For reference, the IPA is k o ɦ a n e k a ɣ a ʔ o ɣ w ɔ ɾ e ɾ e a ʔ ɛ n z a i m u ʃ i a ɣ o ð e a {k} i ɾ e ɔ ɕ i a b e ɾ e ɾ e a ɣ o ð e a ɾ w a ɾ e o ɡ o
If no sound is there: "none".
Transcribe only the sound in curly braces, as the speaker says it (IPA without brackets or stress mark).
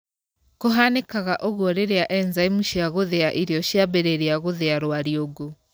ʔ